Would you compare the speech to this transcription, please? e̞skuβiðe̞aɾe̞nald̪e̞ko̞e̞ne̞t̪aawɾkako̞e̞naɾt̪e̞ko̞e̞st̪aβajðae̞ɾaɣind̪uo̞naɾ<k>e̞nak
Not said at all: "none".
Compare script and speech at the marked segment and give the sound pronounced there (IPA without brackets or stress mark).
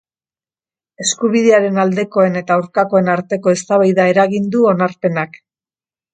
p